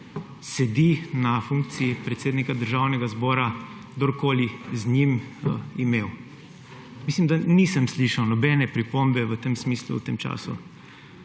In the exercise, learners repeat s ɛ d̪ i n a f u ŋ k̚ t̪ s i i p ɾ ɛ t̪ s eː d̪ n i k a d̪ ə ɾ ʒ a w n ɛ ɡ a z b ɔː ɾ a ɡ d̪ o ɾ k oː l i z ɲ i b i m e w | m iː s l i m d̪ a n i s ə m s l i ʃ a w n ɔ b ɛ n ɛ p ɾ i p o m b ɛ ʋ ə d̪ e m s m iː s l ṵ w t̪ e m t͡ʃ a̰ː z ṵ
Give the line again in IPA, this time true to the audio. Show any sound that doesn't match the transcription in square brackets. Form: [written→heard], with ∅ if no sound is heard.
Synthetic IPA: s ɛ d̪ i n a f u ŋ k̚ t̪ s i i p ɾ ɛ t̪ s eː d̪ n i k a d̪ ə ɾ ʒ a w n ɛ ɡ a z b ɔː ɾ a ɡ d̪ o ɾ k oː l i z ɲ i [b→m] i m e w | m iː s l i m d̪ a n i s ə m s l i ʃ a w n ɔ b ɛ n ɛ p ɾ i p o m b ɛ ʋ ə [d̪→t̪] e m s m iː s l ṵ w t̪ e m t͡ʃ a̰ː [z→s] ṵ